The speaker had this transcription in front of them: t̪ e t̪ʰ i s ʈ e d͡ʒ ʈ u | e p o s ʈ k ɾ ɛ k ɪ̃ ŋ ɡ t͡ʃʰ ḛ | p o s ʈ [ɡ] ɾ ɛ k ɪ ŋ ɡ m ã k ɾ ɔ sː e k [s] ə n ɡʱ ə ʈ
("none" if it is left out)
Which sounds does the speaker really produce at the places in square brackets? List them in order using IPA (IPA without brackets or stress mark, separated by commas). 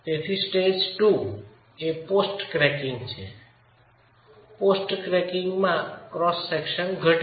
k, ʃ